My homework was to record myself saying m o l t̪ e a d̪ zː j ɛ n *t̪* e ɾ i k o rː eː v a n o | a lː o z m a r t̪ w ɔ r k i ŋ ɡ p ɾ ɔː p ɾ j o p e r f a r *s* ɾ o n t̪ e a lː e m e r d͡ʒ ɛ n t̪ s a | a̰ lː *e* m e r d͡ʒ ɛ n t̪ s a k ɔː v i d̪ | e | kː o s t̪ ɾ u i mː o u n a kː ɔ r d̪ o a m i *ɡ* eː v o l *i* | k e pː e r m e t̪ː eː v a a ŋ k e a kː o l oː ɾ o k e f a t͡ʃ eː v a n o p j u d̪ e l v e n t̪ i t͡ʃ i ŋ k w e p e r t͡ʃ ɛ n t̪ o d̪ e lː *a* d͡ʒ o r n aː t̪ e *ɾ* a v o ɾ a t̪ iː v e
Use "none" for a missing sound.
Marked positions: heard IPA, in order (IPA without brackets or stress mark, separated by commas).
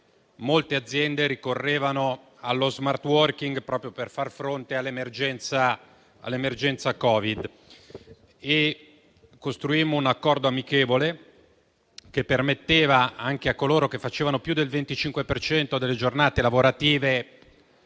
d̪, f, e, k, e, e, l